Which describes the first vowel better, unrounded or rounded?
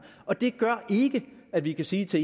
rounded